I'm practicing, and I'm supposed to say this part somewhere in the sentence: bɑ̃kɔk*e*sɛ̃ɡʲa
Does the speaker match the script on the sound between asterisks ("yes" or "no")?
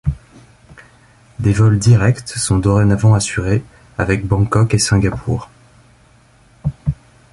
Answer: yes